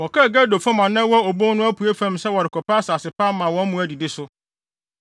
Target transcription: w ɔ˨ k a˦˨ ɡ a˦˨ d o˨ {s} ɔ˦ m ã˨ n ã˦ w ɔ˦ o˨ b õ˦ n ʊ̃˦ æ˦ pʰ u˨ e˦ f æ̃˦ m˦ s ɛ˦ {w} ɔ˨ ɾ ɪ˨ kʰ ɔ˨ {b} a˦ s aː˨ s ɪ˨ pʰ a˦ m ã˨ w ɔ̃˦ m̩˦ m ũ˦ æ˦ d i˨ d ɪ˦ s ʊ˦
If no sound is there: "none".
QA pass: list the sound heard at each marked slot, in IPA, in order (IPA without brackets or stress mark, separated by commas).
f, w, p